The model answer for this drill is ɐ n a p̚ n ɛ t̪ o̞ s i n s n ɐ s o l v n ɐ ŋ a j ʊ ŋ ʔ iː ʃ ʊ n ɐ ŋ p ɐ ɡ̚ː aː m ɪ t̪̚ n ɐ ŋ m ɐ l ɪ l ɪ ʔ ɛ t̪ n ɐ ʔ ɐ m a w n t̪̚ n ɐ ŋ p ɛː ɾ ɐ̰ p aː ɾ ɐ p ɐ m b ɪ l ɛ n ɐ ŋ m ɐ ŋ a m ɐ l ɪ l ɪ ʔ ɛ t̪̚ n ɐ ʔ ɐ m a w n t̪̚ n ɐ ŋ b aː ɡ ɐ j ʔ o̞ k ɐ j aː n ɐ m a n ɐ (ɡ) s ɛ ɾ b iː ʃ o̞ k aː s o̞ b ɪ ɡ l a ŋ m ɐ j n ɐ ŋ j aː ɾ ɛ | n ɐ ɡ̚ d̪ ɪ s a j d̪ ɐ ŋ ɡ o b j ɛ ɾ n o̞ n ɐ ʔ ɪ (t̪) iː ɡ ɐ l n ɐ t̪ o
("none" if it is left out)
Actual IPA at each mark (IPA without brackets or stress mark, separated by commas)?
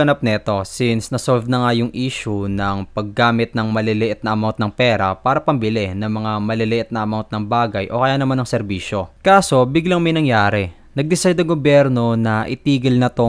ŋ, t̪